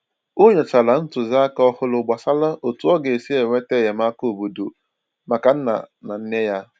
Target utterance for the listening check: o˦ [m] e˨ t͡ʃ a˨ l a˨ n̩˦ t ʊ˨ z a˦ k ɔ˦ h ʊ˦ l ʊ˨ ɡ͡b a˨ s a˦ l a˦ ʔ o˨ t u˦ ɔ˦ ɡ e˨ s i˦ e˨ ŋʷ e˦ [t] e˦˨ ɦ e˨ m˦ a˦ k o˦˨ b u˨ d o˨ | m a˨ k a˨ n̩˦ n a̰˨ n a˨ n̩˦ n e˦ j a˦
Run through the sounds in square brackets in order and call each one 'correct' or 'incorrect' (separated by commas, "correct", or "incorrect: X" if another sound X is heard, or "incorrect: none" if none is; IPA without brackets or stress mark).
incorrect: ɲ, correct